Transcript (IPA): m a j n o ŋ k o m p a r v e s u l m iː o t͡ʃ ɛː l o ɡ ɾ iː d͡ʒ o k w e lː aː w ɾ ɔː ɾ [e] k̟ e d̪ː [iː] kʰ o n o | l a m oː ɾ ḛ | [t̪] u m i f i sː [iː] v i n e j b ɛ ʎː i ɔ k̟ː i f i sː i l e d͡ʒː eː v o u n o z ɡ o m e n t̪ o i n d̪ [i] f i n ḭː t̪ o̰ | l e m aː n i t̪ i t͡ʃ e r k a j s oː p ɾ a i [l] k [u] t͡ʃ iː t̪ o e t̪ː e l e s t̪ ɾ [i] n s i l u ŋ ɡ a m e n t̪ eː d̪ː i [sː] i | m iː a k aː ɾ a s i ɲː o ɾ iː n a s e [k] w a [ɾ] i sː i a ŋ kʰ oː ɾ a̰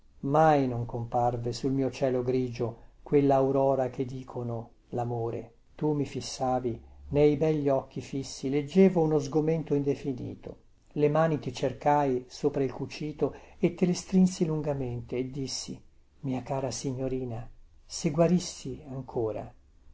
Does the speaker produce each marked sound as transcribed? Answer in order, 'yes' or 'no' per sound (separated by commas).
no, yes, yes, no, no, yes, yes, yes, yes, no, yes